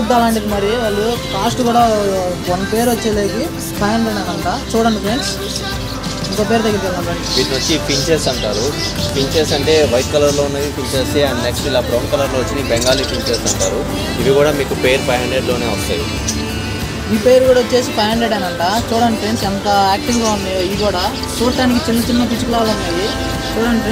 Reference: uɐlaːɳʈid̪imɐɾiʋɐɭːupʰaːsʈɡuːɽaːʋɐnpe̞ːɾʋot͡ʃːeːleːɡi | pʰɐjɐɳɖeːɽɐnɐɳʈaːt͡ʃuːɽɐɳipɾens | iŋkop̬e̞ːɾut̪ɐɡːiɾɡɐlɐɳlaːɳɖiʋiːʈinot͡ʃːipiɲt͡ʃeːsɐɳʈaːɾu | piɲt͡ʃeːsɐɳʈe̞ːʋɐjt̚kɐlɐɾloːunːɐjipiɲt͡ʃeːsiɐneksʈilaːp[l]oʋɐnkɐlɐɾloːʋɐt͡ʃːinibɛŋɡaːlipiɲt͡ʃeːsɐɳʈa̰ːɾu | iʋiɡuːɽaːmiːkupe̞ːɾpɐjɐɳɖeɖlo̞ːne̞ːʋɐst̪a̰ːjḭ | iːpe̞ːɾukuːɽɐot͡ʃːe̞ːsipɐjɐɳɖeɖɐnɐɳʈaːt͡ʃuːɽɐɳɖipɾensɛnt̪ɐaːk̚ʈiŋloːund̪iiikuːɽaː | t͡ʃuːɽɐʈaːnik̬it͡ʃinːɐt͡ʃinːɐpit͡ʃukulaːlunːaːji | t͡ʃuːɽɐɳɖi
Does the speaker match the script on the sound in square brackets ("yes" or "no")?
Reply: no